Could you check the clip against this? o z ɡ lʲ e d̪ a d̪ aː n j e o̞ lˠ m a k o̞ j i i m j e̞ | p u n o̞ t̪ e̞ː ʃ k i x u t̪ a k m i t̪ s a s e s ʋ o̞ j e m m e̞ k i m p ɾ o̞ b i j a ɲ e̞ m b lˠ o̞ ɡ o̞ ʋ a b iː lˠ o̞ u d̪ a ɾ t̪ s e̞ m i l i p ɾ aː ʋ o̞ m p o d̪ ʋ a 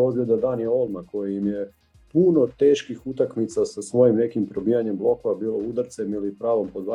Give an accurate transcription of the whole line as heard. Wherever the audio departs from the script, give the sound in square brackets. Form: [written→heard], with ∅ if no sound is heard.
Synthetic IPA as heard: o z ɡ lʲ e d̪ a d̪ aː n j e o̞ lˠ m a k o̞ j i i m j e̞ | p u n o̞ t̪ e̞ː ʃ k i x u t̪ a k m i t̪ s a s [e→a] s ʋ o̞ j [e→i] m [m→n] e̞ k i m p ɾ o̞ b i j a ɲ e̞ m b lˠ o̞ [ɡ→k] o̞ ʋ a b iː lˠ o̞ u d̪ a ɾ t̪ s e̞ m i l i p ɾ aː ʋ o̞ m p o d̪ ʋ a